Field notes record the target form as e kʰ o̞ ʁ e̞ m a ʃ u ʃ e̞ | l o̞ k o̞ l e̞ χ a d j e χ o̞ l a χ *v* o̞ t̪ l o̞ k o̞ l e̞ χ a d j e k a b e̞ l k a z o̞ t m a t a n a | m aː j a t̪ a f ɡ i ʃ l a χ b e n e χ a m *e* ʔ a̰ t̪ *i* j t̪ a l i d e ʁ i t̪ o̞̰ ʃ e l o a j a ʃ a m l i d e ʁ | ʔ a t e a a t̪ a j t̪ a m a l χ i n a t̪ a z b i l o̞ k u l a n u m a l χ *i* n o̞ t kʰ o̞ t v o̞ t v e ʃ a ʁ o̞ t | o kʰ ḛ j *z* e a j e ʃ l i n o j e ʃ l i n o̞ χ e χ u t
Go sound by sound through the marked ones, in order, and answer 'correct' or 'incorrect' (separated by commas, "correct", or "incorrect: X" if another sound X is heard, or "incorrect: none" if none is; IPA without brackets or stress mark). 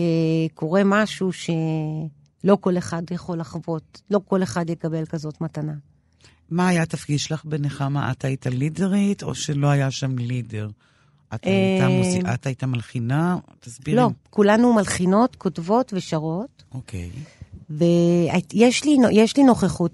correct, incorrect: a, incorrect: a, correct, incorrect: v